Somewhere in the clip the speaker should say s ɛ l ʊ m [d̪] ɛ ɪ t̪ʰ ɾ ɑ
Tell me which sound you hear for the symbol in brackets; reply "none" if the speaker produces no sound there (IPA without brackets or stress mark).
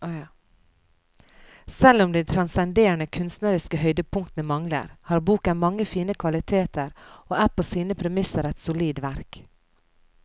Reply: d̪